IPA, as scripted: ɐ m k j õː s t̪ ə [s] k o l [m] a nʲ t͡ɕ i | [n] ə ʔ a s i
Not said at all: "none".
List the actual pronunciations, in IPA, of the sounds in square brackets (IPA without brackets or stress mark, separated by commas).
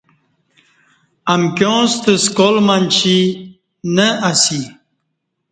s, m, n